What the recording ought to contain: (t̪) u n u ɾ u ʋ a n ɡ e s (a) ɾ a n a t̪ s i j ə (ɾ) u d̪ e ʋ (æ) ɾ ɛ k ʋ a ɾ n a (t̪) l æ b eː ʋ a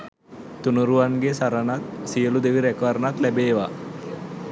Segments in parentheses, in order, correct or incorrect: correct, correct, incorrect: l, incorrect: i, correct

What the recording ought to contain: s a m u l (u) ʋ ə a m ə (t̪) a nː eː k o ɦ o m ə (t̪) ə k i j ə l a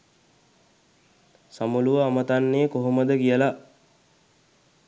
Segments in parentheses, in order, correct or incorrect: correct, correct, incorrect: d̪

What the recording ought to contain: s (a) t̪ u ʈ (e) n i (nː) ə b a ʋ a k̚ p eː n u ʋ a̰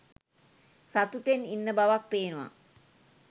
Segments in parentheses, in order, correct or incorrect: correct, correct, correct

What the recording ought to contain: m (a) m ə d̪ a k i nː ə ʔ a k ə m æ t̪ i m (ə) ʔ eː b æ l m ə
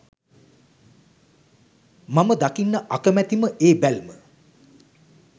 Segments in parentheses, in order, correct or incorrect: correct, correct

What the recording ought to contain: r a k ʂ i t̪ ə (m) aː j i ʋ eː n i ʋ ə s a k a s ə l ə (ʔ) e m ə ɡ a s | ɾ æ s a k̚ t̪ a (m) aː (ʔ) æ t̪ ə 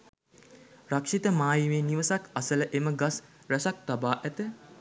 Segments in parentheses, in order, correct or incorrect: correct, correct, incorrect: b, correct

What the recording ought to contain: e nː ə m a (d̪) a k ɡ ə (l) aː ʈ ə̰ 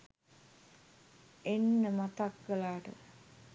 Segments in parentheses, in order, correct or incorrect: incorrect: t̪, correct

